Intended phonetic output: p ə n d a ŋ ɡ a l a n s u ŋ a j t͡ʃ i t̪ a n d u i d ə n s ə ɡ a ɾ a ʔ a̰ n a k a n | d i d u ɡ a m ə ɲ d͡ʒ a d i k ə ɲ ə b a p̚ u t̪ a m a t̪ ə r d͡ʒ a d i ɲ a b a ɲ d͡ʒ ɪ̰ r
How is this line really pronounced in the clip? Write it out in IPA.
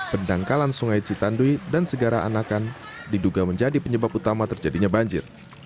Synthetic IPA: p ə n d a ŋ k a l a n s u ŋ a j t͡ʃ i t̪ a n d u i d a n s ə ɡ a ɾ a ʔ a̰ n a k a n | d i d u ɡ a m ə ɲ d͡ʒ a d i p ə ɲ ə b a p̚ u t̪ a m a t̪ ə r d͡ʒ a d i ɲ a b a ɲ d͡ʒ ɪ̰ r